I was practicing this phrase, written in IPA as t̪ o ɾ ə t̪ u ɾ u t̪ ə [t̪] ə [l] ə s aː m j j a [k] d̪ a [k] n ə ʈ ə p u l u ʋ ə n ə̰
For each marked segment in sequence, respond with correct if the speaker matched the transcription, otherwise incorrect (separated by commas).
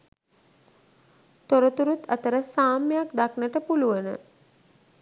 correct, incorrect, correct, correct